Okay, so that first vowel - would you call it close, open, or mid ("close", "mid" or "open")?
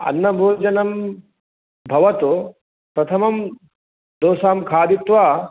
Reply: open